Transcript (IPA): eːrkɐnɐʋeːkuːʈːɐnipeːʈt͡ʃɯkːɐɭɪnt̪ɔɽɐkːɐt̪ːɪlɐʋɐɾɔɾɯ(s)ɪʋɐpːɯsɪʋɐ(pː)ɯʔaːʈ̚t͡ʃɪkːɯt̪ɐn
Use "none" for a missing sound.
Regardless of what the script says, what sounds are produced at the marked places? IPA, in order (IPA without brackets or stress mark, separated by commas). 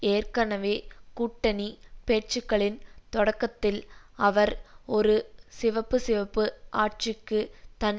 s, pː